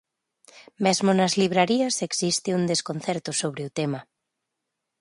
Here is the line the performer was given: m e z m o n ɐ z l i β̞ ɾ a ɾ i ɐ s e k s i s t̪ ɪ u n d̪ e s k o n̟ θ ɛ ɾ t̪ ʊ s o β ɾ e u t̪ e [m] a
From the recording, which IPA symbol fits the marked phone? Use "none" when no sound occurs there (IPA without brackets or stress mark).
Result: m